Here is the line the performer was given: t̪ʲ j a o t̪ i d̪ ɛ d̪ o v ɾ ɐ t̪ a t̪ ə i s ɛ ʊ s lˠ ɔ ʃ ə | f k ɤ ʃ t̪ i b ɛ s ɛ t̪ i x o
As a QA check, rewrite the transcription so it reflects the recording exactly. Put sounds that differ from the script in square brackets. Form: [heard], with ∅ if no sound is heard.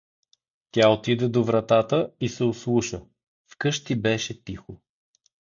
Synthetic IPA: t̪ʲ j a o t̪ i d̪ ɛ d̪ o v ɾ ɐ t̪ a t̪ ə i s ɛ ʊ s lˠ [u] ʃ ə | f k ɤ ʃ t̪ i b ɛ [ʃ] ɛ t̪ i x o